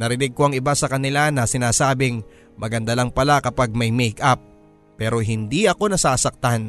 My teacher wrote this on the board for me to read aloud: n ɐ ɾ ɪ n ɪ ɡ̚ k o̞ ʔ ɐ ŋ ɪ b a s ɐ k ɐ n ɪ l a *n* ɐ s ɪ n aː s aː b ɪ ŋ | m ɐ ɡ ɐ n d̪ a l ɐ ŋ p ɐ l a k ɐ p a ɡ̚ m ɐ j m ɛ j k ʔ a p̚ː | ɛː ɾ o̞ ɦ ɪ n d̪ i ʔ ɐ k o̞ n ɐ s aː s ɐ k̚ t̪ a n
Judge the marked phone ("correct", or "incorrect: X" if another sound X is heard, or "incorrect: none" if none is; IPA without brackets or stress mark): correct